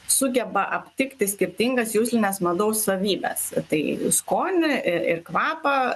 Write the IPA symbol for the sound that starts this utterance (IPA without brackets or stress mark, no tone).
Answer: s